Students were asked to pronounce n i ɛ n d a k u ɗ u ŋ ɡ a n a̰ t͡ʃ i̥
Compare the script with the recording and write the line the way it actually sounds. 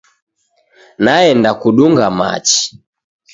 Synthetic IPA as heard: n a ɛ n d a k u ɗ u ŋ ɡ a m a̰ t͡ʃ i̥